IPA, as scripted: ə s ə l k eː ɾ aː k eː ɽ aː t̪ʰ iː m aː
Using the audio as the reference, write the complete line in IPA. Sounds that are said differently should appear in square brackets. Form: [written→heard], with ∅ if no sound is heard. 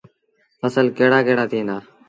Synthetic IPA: ə s ə l k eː [ɾ→ɽ] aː k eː ɽ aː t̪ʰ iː [m→n] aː